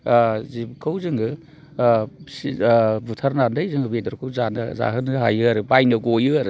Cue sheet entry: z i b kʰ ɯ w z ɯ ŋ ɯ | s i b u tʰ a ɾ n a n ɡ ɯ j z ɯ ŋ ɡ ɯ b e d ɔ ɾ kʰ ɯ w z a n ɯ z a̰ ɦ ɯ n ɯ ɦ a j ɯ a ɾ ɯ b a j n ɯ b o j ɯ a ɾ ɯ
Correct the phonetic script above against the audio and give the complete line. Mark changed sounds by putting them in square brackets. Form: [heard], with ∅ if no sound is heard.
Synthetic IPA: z i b kʰ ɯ w z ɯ ŋ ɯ | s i b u tʰ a ɾ n a n [d] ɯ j z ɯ ŋ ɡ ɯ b e d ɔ ɾ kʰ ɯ w z a n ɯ z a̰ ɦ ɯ n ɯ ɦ a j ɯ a ɾ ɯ b a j n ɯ [ɡ] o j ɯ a ɾ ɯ